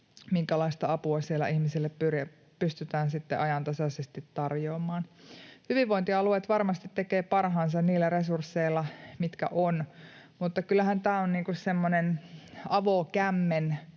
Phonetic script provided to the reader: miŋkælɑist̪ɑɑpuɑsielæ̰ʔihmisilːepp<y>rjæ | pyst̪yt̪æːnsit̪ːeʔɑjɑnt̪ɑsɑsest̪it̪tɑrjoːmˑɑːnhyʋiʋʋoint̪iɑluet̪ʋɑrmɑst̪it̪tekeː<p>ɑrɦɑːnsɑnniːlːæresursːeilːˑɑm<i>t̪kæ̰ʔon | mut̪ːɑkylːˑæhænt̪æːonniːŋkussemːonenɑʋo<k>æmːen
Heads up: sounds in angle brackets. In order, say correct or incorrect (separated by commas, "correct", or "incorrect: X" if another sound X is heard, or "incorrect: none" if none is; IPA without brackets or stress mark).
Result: correct, correct, correct, correct